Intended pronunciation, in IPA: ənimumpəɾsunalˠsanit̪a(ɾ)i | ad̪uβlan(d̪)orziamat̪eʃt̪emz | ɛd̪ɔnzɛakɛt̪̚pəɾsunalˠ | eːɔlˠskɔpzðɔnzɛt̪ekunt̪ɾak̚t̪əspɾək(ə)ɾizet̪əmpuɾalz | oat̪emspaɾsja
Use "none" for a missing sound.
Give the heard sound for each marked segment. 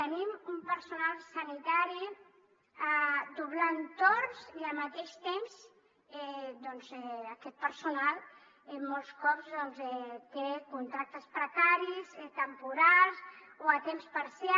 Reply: ɾ, t̪, a

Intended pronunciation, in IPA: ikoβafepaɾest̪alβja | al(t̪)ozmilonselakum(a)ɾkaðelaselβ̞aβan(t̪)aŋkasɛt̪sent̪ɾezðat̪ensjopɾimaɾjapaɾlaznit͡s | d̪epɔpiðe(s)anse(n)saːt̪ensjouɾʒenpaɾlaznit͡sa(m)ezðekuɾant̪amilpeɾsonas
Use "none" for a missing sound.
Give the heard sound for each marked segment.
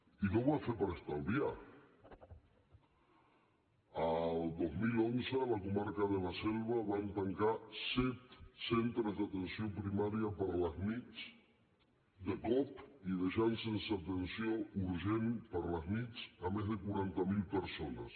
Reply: d̪, a, t̪, ʃ, n, m

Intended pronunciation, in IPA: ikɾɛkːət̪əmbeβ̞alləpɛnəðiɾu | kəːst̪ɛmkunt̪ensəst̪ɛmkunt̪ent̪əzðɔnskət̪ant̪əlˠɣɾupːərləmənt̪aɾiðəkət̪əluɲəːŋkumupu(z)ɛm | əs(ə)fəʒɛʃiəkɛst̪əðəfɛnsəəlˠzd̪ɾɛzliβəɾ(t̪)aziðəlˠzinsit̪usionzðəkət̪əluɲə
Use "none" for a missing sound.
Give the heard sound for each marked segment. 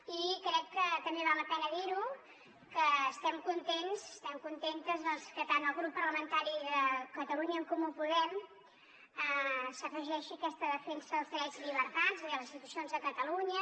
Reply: ð, ə, t̪

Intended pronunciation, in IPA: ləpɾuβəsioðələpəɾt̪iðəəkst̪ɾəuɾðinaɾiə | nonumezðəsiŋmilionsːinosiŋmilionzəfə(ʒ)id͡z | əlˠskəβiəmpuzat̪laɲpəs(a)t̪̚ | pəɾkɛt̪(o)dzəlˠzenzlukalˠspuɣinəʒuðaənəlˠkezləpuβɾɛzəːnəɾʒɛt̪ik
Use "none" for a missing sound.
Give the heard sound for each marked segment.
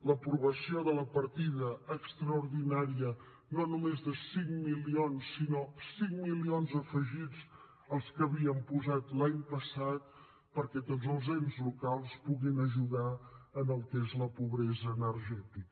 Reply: ʒ, a, o

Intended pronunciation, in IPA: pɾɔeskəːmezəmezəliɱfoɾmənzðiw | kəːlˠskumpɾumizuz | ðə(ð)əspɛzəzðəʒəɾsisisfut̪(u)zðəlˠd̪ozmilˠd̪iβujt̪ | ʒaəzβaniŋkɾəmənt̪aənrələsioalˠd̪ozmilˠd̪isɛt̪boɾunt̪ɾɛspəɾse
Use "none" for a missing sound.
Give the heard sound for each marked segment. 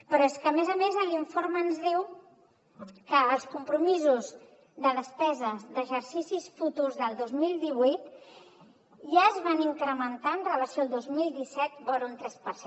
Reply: ð, u

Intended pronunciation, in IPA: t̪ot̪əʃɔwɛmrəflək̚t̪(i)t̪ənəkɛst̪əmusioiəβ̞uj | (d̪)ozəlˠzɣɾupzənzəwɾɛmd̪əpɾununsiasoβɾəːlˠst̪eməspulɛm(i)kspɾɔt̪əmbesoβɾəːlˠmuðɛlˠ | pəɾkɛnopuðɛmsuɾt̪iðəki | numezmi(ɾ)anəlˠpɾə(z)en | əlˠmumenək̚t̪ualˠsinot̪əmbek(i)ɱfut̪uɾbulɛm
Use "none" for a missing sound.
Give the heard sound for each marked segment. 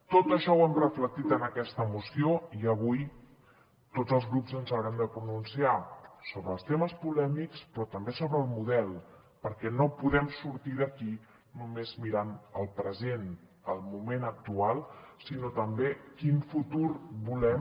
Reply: i, t̪, i, ɾ, z, i

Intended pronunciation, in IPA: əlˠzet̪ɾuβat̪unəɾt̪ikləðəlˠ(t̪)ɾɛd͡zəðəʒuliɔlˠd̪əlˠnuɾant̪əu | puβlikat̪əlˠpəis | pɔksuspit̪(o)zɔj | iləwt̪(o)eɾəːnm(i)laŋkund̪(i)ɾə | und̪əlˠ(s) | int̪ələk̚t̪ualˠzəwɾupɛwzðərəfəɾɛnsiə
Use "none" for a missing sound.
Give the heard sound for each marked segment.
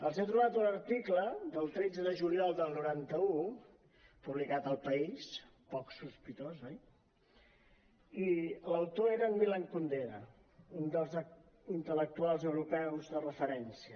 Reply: t̪, o, o, i, e, z

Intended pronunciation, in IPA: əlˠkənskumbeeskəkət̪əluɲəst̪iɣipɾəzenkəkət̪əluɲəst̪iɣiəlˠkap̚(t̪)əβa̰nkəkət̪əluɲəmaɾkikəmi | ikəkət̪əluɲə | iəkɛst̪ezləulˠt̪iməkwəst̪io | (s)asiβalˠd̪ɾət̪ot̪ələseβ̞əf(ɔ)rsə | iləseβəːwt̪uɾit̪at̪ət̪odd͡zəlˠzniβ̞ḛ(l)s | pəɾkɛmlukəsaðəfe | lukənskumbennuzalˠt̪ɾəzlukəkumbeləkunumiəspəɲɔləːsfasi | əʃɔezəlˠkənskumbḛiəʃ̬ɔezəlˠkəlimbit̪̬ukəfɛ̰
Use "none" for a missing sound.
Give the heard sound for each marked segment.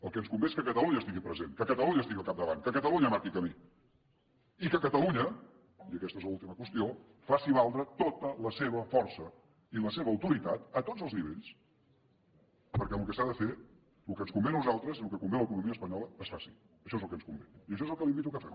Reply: d̪, f, ɔ, ʎ

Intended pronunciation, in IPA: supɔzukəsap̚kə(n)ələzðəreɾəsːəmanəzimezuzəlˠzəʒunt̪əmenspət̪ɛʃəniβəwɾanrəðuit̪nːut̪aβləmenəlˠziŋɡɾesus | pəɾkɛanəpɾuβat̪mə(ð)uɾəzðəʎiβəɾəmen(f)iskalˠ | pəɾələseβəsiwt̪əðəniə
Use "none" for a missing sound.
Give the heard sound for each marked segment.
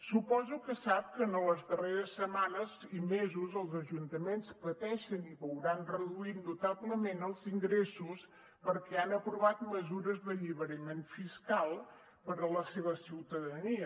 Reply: n, z, f

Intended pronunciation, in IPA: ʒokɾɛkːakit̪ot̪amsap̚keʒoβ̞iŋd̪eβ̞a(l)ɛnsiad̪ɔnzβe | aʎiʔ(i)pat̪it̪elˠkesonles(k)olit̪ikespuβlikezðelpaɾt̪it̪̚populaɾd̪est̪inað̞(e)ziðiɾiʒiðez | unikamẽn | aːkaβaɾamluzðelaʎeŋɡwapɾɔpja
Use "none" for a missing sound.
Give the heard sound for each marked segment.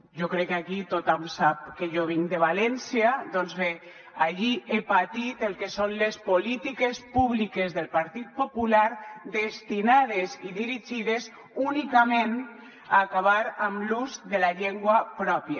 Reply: l, e, p, e

